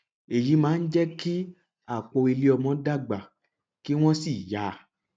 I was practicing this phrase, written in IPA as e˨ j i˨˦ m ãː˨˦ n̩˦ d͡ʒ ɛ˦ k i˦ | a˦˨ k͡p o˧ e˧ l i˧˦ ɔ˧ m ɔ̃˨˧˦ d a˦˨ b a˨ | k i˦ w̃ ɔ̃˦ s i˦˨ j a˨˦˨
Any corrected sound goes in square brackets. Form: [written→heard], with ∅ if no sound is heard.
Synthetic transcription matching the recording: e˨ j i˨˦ m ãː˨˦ n̩˦ d͡ʒ ɛ˦ k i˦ | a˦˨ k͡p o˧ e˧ l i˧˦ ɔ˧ m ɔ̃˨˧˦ d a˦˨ [b→ɡ͡b] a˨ | k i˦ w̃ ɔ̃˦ s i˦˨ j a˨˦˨